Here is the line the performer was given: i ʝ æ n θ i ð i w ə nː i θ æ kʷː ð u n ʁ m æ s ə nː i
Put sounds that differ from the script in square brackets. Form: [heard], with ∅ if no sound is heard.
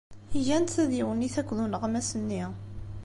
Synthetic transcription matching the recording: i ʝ æ n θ [æ] ð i w ə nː i θ æ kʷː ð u n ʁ m æ s ə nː i

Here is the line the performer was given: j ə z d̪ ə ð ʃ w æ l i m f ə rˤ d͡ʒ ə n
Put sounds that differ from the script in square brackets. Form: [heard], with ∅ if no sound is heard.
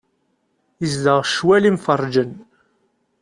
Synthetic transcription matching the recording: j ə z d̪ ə [ʁ] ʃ w æ l i m f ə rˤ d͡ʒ ə n

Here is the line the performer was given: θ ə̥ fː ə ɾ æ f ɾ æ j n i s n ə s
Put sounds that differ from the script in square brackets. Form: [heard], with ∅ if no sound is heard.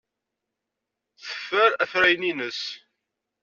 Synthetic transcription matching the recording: θ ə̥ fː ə ɾ æ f ɾ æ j n i [∅] n ə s

